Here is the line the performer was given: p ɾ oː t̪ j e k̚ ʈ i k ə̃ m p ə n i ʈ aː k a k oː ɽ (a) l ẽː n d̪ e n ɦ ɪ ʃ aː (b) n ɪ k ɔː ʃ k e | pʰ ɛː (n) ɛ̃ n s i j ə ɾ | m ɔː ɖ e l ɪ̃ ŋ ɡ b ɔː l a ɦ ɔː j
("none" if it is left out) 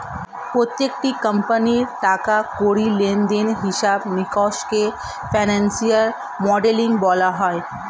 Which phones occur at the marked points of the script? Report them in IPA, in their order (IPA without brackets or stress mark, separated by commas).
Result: i, b, n